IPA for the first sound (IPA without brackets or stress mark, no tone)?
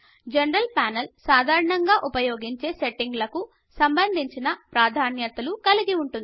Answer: d͡ʒ